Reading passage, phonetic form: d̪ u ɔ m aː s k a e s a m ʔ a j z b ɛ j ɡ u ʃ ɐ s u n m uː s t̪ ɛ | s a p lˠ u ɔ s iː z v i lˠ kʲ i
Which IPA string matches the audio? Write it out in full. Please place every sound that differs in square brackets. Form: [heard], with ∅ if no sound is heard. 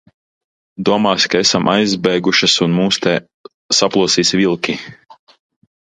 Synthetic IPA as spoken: d̪ u ɔ m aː s k a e s a m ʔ a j z b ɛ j ɡ u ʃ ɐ s u n m uː s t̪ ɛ | s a p lˠ u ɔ s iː [s] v i lˠ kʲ i